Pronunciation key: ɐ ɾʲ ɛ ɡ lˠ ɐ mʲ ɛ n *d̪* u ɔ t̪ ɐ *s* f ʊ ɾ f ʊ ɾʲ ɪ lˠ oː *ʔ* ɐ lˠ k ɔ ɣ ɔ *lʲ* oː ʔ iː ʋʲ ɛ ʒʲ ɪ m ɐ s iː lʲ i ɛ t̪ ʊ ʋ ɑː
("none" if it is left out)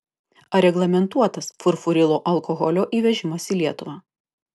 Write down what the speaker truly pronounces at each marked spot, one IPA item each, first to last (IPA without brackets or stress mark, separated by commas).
t̪, s, ʔ, lʲ